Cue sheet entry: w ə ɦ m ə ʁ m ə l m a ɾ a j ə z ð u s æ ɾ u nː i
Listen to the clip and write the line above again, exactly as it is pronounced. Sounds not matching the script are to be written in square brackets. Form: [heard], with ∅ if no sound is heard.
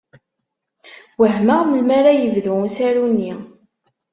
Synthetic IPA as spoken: w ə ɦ m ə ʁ m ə l m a ɾ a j ə [v] ð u s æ ɾ u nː i